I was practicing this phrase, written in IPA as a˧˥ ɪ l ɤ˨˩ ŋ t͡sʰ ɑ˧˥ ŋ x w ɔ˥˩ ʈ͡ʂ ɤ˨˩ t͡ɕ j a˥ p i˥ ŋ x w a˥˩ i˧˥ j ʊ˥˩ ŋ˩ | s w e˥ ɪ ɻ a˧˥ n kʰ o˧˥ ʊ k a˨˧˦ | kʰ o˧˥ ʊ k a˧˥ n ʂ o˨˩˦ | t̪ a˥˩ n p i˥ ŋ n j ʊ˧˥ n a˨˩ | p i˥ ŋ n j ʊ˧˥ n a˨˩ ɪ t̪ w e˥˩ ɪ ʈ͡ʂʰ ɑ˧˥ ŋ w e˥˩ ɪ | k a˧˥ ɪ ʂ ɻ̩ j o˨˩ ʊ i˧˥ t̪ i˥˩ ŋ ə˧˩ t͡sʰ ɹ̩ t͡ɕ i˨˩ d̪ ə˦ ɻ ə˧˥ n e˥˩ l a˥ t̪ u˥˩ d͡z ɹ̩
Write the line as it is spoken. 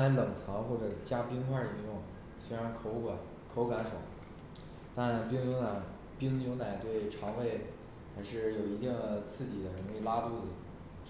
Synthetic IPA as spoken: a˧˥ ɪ l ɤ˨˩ ŋ t͡sʰ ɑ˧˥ ŋ x w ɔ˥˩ ʈ͡ʂ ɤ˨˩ t͡ɕ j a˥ p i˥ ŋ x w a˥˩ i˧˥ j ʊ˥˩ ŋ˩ | s w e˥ ɪ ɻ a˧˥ n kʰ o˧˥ ʊ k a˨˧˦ | kʰ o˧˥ ʊ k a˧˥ n ʂ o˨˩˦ | t̪ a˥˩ n p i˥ ŋ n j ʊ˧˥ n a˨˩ | p i˥ ŋ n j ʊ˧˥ n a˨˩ ɪ t̪ w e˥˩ ɪ ʈ͡ʂʰ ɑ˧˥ ŋ w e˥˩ ɪ | x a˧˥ ɪ ʂ ɻ̩ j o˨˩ ʊ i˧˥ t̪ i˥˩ ŋ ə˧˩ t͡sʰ ɹ̩ t͡ɕ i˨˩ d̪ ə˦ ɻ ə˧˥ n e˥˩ l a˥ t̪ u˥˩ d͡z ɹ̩